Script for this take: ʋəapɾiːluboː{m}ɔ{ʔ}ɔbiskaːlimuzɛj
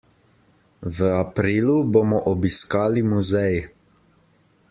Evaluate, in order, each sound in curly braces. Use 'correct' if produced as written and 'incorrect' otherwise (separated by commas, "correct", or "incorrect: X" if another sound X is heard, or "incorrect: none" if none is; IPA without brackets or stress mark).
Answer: correct, correct